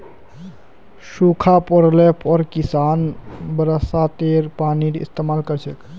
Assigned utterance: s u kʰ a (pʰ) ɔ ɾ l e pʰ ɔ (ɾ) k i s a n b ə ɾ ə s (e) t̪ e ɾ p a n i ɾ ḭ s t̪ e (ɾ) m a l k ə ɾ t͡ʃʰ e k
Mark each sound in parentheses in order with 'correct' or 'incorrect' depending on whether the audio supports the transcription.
incorrect, correct, incorrect, incorrect

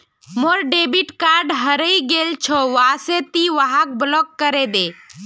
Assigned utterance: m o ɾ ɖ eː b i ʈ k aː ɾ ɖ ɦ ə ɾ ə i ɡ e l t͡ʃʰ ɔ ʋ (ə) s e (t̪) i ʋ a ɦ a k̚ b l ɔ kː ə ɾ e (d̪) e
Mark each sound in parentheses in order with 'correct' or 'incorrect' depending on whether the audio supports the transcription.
incorrect, correct, correct

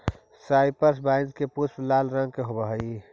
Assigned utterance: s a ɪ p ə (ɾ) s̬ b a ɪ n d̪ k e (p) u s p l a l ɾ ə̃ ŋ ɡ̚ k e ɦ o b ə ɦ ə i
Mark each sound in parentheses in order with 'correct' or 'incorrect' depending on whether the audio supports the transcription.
correct, correct

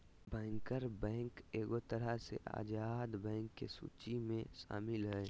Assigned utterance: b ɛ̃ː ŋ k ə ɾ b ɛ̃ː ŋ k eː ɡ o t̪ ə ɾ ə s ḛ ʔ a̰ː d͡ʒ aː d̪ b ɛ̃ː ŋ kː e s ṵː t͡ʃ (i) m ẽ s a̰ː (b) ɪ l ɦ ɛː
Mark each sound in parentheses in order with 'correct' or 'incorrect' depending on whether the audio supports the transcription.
correct, incorrect

